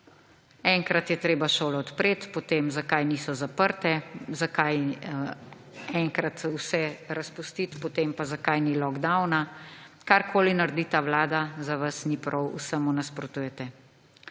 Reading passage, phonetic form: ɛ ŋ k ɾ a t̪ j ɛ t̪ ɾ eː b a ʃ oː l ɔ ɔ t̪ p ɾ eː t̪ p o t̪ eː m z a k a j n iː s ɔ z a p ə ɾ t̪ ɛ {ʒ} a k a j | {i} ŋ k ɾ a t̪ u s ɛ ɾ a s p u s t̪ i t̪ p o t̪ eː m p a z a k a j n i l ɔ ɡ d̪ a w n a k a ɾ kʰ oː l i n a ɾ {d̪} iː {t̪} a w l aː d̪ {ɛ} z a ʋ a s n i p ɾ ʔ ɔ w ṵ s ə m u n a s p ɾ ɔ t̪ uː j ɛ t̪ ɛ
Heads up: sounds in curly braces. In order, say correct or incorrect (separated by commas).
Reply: incorrect, incorrect, correct, correct, incorrect